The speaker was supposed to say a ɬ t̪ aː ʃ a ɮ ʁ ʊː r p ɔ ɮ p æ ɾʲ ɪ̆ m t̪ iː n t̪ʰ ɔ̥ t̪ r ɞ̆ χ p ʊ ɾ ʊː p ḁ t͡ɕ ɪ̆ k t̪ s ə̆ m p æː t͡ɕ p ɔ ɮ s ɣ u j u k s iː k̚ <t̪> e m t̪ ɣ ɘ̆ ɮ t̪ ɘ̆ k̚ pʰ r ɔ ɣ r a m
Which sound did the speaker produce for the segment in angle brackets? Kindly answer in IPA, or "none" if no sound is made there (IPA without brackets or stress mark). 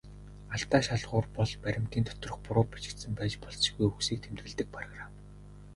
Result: t̪ʰ